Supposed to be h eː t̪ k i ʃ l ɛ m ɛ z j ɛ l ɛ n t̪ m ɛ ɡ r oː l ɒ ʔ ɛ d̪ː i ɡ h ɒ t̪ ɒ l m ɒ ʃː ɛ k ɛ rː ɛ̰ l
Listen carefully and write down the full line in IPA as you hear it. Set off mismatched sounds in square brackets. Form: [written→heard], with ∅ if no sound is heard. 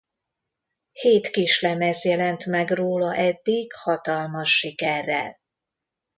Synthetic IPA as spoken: h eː t̪ k i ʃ l ɛ m ɛ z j ɛ l ɛ n t̪ m ɛ ɡ r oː l ɒ ʔ ɛ d̪ː i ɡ h ɒ t̪ ɒ l m ɒ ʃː [ɛ→i] k ɛ rː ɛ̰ l